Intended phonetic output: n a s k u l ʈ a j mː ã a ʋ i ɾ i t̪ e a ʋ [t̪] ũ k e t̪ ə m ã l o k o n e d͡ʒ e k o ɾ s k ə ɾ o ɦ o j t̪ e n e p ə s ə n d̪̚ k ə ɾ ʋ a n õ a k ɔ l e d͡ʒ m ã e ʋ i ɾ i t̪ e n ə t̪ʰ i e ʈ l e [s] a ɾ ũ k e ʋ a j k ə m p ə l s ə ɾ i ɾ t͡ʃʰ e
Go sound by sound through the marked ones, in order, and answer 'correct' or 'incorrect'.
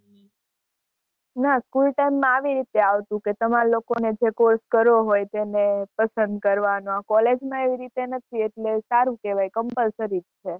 correct, correct

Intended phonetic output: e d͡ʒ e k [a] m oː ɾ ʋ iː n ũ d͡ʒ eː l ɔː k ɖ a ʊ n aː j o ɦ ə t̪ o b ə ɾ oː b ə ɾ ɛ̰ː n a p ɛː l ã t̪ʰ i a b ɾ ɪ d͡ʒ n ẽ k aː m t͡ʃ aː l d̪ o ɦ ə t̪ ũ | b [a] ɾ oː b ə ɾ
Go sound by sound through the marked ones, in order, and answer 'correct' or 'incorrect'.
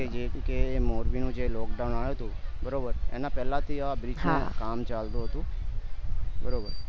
incorrect: e, incorrect: ə

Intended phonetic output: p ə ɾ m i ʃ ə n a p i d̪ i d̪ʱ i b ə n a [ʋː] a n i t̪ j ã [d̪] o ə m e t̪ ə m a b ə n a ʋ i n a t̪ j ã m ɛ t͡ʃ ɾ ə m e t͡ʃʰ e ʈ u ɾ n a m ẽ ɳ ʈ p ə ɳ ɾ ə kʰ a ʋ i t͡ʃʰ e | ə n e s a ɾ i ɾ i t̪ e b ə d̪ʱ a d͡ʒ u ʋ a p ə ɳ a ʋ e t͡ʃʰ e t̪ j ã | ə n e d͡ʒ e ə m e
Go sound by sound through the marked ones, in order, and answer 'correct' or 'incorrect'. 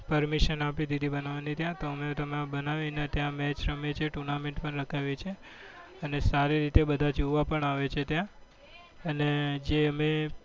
incorrect: ʋ, incorrect: t̪

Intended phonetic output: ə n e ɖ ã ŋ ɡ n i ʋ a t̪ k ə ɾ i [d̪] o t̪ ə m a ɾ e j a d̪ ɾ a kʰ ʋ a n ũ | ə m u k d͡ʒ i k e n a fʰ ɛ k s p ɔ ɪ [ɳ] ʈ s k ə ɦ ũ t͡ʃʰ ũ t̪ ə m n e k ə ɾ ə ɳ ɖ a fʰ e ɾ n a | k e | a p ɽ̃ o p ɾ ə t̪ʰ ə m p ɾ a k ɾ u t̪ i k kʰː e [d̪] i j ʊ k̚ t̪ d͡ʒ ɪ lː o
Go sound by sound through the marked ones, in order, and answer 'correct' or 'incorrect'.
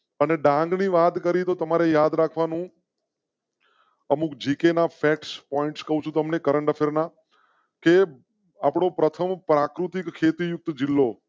incorrect: t̪, correct, incorrect: t̪

